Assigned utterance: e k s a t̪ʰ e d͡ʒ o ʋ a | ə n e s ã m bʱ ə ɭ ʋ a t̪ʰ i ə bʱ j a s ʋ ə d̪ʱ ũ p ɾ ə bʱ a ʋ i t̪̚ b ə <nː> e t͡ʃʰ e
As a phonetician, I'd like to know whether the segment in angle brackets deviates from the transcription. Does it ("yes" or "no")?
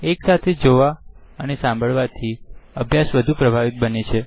yes